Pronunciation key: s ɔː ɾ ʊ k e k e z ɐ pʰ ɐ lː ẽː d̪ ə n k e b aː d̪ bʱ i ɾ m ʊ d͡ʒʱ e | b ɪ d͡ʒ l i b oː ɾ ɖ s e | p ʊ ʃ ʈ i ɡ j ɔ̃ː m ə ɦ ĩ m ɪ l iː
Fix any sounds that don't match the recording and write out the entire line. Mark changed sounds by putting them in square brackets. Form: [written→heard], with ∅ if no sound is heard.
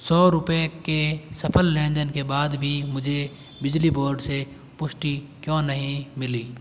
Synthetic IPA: s ɔː ɾ ʊ [k→p] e k e [z→s] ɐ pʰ [ɐ→ə] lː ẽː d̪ ə n k e b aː d̪ bʱ i [ɾ→∅] m ʊ d͡ʒʱ e | b ɪ d͡ʒ l i b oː ɾ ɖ s e | p ʊ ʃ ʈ i [ɡ→k] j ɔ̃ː [m→n] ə ɦ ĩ m ɪ l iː

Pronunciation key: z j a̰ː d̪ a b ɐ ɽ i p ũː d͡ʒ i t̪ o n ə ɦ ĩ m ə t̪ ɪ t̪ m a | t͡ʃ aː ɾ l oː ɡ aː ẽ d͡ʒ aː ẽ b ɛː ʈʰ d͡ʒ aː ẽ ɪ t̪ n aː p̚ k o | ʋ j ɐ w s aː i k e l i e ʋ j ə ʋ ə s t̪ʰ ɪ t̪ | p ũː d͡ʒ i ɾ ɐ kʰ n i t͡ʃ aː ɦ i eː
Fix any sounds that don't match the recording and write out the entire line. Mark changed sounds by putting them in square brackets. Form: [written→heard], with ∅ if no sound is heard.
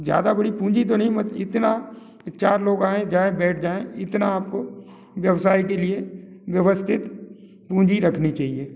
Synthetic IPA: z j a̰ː d̪ a b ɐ ɽ i p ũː d͡ʒ i t̪ o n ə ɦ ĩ m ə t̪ ɪ t̪ [m→n] a | t͡ʃ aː ɾ l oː ɡ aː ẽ d͡ʒ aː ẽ b ɛː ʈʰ d͡ʒ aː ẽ ɪ t̪ n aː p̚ k o | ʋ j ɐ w s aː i k e l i e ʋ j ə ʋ ə s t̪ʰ ɪ t̪ | p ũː d͡ʒ i ɾ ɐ kʰ n i t͡ʃ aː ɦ i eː

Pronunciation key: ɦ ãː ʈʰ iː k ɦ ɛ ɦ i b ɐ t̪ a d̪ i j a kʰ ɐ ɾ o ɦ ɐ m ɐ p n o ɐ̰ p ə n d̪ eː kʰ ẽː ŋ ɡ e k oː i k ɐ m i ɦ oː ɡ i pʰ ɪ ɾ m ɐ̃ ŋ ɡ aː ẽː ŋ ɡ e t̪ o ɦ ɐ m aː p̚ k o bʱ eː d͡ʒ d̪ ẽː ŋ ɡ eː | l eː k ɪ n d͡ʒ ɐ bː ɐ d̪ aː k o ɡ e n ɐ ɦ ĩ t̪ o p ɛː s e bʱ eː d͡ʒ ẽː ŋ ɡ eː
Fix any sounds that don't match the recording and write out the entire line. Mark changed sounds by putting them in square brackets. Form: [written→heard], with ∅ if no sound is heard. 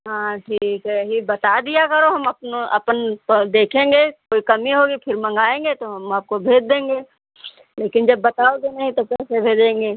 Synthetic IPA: ɦ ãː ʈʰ iː k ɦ ɛ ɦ i b ɐ t̪ a d̪ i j a [kʰ→k] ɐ ɾ o ɦ ɐ m ɐ p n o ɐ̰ p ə n d̪ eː kʰ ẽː ŋ ɡ e k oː i k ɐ m i ɦ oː ɡ i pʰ ɪ ɾ m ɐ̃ ŋ ɡ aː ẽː ŋ ɡ e t̪ o ɦ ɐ m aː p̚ k o bʱ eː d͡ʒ d̪ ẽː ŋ ɡ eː | l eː k ɪ n d͡ʒ ɐ bː ɐ [d̪→t̪] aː [k→∅] o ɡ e n ɐ ɦ ĩ t̪ o p ɛː s e bʱ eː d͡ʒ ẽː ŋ ɡ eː

